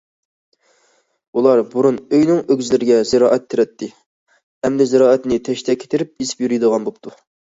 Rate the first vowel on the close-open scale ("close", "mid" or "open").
close